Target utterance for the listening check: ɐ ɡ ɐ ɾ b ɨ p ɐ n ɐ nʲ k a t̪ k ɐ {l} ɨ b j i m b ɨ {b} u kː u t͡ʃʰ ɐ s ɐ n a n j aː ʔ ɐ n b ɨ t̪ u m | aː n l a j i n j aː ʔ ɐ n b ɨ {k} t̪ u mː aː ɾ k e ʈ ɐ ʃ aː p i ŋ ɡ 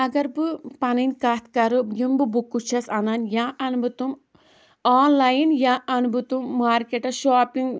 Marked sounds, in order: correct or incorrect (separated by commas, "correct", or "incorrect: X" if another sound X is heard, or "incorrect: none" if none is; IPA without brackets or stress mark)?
incorrect: ɾ, correct, incorrect: none